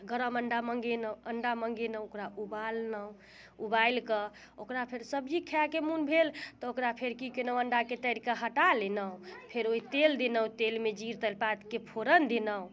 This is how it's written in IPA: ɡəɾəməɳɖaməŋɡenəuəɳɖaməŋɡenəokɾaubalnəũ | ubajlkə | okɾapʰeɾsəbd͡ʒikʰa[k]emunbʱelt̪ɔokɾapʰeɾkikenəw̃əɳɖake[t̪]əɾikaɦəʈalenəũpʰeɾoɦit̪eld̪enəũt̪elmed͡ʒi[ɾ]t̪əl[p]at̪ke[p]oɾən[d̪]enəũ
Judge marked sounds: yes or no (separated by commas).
yes, yes, yes, yes, no, yes